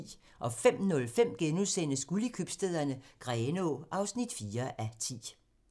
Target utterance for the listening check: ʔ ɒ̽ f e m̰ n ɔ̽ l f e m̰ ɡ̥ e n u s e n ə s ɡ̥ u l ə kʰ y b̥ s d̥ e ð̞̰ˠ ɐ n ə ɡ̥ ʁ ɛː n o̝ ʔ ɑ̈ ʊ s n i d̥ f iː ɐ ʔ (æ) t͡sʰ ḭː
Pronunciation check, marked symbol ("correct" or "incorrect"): correct